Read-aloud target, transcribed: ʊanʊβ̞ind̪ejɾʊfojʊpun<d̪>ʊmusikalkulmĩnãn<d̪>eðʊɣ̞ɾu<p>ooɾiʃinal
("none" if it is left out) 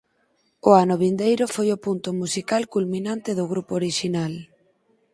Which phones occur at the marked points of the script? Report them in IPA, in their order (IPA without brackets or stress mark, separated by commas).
t̪, t̪, p